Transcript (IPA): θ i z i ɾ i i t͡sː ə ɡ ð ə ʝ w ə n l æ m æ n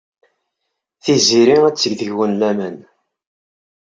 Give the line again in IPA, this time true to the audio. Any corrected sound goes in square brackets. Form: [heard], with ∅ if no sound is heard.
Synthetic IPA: θ i z i ɾ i [æ] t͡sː ə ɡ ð ə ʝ w ə n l æ m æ n